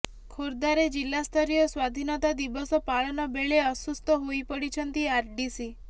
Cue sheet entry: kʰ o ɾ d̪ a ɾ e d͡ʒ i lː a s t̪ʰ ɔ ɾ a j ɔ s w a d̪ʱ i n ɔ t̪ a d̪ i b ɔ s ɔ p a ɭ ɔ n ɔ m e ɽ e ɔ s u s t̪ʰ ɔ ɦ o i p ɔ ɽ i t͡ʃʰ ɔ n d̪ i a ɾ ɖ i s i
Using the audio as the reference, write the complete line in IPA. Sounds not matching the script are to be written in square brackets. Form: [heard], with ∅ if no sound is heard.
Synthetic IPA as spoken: kʰ o ɾ d̪ a ɾ e d͡ʒ i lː a s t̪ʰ ɔ ɾ [i] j ɔ s w a d̪ʱ i n ɔ t̪ a d̪ i b ɔ s ɔ p a ɭ ɔ n ɔ [b] e [ɭ] e ɔ s u s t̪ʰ ɔ ɦ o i p ɔ ɽ i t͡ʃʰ ɔ n [t̪] i a ɾ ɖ i s i

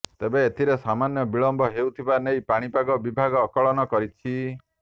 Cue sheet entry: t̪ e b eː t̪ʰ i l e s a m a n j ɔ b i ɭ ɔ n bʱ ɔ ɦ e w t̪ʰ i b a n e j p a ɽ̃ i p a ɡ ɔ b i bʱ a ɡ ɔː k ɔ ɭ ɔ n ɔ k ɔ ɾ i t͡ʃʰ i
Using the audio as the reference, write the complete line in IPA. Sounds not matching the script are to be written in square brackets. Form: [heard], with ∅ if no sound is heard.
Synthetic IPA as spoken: t̪ e b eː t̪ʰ i [ɾ] e s a m a n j ɔ b i ɭ ɔ [m] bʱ ɔ ɦ e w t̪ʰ i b a n e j p a ɽ̃ i p a ɡ ɔ b i bʱ a ɡ ɔː k ɔ ɭ ɔ n ɔ k ɔ ɾ i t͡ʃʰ i

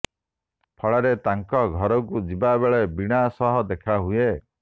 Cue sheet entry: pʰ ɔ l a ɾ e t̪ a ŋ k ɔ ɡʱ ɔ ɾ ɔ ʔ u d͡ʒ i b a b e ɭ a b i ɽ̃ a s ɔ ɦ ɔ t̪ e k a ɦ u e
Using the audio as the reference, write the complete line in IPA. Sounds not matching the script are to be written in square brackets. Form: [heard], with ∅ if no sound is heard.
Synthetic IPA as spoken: pʰ ɔ [ɭ] a ɾ e t̪ a ŋ k ɔ ɡʱ ɔ ɾ ɔ [k] u d͡ʒ i b a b e ɭ [e] b i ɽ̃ a s ɔ ɦ ɔ [d̪] e [kʰ] a ɦ u e

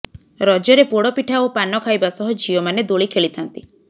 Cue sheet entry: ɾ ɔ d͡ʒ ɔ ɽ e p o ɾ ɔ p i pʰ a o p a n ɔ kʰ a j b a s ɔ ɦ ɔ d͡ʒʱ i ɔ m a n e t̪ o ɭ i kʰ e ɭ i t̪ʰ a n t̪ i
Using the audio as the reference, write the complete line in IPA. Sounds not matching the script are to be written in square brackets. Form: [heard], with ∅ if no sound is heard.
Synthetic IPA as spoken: ɾ ɔ d͡ʒ ɔ [ɾ] e p o [ɽ] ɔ p i [ʈʰ] a o p a n ɔ kʰ a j b a s ɔ ɦ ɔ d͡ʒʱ i ɔ m a n e [d̪] o ɭ i kʰ e ɭ i t̪ʰ a n t̪ i

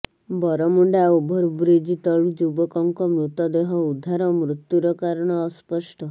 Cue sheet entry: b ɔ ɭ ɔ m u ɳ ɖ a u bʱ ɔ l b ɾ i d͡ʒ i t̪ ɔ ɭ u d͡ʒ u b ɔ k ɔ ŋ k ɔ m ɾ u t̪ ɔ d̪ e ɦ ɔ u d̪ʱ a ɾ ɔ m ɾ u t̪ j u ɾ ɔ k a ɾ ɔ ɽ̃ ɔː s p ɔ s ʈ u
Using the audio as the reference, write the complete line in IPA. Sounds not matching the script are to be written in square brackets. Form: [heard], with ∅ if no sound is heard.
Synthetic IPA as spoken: b ɔ [ɾ] ɔ m u ɳ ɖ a u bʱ ɔ [ɾ] b ɾ i d͡ʒ i t̪ ɔ ɭ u d͡ʒ u b ɔ k ɔ ŋ k ɔ m ɾ u t̪ ɔ d̪ e ɦ ɔ u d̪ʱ a ɾ ɔ m ɾ u t̪ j u ɾ ɔ k a ɾ ɔ ɽ̃ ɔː s p ɔ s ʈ [ɔ]

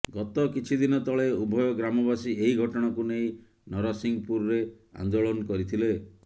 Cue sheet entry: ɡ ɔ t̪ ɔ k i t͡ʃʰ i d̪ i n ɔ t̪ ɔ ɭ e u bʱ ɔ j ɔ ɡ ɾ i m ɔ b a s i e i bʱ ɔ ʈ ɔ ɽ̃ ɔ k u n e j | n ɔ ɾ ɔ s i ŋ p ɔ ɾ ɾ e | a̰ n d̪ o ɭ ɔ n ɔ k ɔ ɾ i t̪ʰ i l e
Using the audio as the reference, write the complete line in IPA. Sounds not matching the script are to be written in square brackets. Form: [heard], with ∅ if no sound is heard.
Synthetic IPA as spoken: ɡ ɔ t̪ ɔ k i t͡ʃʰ i d̪ i n ɔ t̪ ɔ ɭ e u bʱ ɔ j ɔ ɡ ɾ [a] m ɔ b a s i e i [ɡʱ] ɔ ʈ ɔ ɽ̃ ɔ k u n e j | n ɔ ɾ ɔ s i ŋ p [u] ɾ ɾ e | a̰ n d̪ o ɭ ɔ n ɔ k ɔ ɾ i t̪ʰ i l e

